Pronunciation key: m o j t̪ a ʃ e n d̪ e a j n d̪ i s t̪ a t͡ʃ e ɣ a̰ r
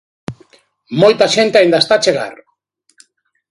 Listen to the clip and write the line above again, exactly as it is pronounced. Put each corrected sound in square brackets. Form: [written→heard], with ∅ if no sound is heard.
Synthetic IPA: m o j t̪ a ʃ e n [d̪→t̪] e a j n d̪ [i→a] s t̪ a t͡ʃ e ɣ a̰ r